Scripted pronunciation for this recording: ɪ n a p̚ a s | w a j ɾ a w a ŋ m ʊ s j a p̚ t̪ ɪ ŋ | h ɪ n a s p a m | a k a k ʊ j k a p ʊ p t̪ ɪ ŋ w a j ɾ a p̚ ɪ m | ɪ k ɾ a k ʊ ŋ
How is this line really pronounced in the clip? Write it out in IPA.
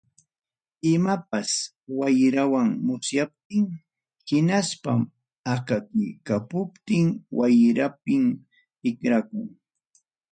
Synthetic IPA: ɪ m a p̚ a s | w a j ɾ a w a ŋ m ʊ s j a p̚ t̪ ɪ ŋ | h ɪ n a s p a m | a k a k ʊ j k a p ʊ p t̪ ɪ ŋ w a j ɾ a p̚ ɪ m | ɪ k ɾ a k ʊ ŋ

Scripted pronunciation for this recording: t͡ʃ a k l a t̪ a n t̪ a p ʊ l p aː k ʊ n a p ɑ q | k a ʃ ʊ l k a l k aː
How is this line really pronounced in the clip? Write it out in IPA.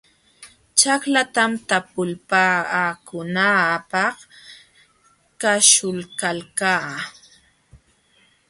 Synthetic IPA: t͡ʃ a k l a t̪ a m t̪ a p ʊ l p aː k ʊ n a p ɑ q | k a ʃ ʊ l k a l k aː

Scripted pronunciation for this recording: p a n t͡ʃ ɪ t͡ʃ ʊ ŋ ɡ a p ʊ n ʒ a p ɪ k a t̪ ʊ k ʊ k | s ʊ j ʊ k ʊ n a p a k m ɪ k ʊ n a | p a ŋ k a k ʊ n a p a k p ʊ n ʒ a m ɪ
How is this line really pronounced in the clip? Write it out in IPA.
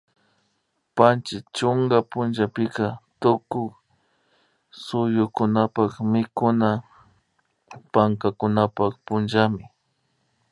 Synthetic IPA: p a n t͡ʃ ɪ t͡ʃ ʊ ŋ ɡ a p ʊ n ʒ a p ɪ k a t̪ ʊ k ʊ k | s ʊ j ʊ k ʊ n a p a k m ɪ k ʊ n a | p a ŋ k a k ʊ n a p a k p ʊ n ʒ a m ɪ

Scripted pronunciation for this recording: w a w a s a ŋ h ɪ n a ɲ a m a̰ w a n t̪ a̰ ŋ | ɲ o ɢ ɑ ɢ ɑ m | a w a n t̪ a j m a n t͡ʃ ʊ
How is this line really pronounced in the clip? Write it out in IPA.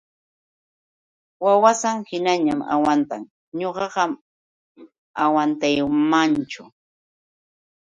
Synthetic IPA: w a w a s a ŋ h ɪ n a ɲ a m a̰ w a n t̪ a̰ ŋ | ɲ o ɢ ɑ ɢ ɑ m | a w a n t̪ a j m a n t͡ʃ ʊ

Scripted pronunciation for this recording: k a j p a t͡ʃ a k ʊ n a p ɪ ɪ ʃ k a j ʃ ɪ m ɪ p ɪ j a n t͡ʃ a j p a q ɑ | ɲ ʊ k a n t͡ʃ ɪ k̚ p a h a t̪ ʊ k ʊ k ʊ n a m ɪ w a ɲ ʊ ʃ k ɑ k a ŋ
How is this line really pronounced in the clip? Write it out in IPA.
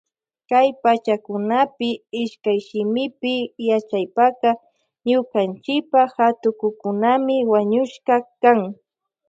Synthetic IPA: k a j p a t͡ʃ a k ʊ n a p ɪ ɪ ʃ k a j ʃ ɪ m ɪ p ɪ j a t͡ʃ a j p a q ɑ | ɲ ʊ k a n t͡ʃ ɪ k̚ p a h a t̪ ʊ k ʊ k ʊ n a m ɪ w a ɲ ʊ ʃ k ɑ k a ŋ

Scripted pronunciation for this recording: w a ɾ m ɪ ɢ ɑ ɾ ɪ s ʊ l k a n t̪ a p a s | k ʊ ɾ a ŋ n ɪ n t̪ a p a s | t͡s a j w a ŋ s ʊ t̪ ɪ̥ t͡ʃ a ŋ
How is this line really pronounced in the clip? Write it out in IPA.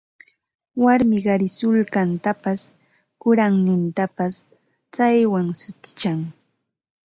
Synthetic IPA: w a ɾ m ɪ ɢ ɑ ɾ ɪ s ʊ l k a n t̪ a p a s | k ʊ ɾ a ŋ n ɪ n t̪ a p a s | t͡s a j w a ŋ s ʊ t̪ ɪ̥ t͡ʃ a ŋ

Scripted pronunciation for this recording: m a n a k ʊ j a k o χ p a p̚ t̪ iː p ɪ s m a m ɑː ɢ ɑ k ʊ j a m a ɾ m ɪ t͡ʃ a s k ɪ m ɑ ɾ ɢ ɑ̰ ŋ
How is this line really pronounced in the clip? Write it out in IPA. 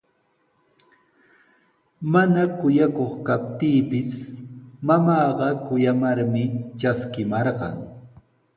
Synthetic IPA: m a n a k ʊ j a k o χ k a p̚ t̪ iː p ɪ s m a m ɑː ɢ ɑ k ʊ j a m a ɾ m ɪ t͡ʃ a s k ɪ m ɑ ɾ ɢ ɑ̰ ŋ

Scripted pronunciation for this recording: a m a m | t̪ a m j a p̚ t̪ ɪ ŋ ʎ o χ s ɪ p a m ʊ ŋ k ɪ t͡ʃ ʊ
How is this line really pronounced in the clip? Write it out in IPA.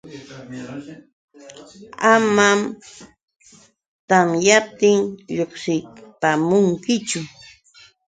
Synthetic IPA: a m a m | t̪ a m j a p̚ t̪ ɪ ŋ ʎ o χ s ɪ p a m ʊ ŋ k ɪ t͡ʃ ʊ

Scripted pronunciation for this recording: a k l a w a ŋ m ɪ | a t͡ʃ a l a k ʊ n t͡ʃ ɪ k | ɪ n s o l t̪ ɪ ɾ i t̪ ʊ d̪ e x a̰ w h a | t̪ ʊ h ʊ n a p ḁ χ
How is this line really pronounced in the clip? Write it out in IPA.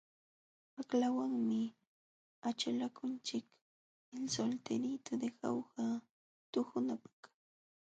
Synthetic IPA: a k l a w a ŋ m ɪ | a t͡ʃ a l a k ʊ n t͡ʃ ɪ k | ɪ n s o l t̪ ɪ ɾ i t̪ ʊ d̪ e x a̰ w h a | t̪ ʊ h ʊ n a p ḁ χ

